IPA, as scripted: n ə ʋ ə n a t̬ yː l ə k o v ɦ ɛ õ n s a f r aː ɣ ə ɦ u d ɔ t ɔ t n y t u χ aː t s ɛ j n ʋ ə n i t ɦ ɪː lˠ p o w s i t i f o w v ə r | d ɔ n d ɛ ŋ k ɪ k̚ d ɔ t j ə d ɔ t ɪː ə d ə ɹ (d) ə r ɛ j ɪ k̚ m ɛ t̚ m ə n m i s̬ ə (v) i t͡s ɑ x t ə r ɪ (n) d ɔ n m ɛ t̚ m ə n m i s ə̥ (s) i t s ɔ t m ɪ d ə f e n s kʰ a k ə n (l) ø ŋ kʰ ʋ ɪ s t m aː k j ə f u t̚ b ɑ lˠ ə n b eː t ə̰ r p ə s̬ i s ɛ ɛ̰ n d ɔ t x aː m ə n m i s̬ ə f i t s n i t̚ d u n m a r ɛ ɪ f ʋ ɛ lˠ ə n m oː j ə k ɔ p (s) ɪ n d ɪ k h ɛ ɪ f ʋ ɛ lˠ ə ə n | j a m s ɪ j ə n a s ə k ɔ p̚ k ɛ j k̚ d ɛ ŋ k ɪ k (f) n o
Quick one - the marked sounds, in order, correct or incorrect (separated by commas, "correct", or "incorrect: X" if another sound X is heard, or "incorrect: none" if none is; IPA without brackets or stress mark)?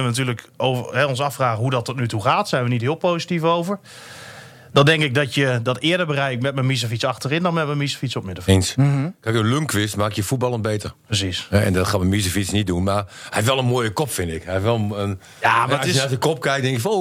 incorrect: b, incorrect: f, correct, incorrect: f, correct, incorrect: f, correct